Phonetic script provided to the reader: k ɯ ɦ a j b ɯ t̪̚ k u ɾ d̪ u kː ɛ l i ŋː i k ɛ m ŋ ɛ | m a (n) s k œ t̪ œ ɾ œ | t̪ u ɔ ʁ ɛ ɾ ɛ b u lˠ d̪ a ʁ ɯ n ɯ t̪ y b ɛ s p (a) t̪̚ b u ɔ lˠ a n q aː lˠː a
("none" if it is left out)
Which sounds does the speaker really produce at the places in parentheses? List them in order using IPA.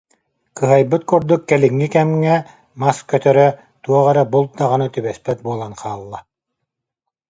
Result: none, ɛ

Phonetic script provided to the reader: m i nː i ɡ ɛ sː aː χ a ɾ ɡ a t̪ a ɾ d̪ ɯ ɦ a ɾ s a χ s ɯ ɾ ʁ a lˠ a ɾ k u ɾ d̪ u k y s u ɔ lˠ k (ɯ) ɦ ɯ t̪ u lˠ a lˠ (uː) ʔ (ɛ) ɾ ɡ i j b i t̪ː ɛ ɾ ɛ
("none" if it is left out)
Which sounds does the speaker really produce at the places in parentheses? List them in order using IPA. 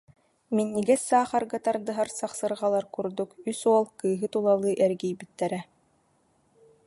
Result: ɯː, ɯː, ɛ

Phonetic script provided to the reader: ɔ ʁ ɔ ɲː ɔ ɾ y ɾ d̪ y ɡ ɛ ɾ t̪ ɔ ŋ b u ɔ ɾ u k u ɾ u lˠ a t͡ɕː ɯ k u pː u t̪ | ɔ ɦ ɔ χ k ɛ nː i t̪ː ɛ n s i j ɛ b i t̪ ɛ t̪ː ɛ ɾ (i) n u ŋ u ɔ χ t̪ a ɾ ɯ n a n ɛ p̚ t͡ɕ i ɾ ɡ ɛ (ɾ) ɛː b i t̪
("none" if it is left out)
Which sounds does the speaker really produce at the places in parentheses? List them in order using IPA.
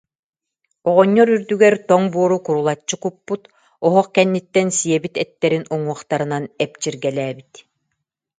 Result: i, l

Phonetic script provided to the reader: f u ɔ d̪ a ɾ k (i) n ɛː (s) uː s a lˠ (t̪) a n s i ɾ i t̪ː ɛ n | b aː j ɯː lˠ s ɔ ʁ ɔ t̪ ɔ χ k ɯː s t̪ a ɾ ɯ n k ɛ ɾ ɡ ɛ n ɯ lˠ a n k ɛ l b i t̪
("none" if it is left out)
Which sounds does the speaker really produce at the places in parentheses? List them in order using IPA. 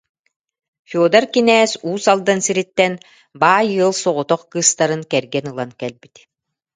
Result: i, s, d̪

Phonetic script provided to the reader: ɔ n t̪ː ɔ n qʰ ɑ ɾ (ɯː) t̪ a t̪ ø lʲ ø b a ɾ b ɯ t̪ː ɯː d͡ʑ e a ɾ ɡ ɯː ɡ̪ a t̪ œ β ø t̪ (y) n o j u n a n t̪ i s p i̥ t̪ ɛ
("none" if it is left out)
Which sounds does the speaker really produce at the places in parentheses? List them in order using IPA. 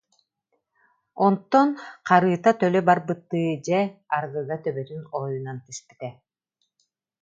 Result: ɯː, y

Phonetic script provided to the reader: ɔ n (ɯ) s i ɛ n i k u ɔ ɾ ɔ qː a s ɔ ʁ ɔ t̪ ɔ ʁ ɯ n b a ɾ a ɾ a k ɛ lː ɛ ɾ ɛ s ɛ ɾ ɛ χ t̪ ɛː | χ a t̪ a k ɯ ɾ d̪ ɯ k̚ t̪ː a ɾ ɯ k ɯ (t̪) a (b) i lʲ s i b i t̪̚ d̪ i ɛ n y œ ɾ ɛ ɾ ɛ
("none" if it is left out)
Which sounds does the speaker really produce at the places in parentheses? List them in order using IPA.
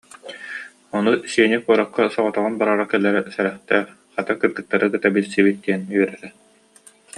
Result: u, t̪, b

